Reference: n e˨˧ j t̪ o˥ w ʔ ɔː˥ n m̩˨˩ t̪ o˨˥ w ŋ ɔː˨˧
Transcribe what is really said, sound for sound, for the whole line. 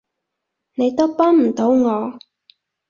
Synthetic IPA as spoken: n e˨˧ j t̪ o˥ w p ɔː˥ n m̩˨˩ t̪ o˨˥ w ŋ ɔː˨˧